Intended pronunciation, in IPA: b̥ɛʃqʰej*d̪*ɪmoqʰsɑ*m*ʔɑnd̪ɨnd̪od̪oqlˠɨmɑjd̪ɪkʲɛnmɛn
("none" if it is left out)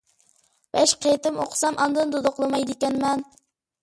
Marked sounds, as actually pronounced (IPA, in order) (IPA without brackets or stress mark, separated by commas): t̪, m